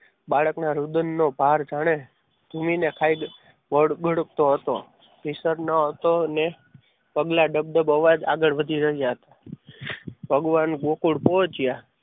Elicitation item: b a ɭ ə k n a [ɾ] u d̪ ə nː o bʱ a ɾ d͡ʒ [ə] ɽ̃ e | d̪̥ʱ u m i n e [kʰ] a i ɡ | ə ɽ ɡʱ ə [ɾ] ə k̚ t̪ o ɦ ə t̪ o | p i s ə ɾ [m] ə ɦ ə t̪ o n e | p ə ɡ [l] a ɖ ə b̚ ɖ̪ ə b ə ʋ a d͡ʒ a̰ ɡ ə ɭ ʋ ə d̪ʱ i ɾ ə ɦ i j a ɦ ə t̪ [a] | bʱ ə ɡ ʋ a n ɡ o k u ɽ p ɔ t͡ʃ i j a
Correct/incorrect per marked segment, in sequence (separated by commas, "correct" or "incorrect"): correct, incorrect, correct, incorrect, incorrect, correct, correct